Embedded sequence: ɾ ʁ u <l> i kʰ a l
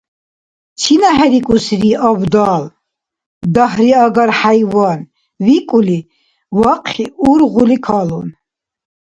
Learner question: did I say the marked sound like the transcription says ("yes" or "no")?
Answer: yes